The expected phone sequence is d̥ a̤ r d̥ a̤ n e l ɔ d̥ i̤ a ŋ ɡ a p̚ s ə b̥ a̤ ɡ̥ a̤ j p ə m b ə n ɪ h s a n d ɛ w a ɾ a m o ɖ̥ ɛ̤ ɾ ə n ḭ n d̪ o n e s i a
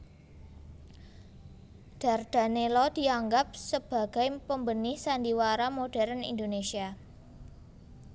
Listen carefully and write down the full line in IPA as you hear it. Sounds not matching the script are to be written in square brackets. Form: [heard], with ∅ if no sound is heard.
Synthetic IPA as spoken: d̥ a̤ r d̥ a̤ n e l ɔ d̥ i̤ a ŋ ɡ a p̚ s ə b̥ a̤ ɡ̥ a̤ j p ə m b ə n ɪ h s a n d [i] w a ɾ a m o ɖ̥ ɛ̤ ɾ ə n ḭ n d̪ o n e s i a